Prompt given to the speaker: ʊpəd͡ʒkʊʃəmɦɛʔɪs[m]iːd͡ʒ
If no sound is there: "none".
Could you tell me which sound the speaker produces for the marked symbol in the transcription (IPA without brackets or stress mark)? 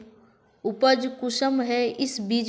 b